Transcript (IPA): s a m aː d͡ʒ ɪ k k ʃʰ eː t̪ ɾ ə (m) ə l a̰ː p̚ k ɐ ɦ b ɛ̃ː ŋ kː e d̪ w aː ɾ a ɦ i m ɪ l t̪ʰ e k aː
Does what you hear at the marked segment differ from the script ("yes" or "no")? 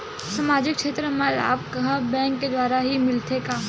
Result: no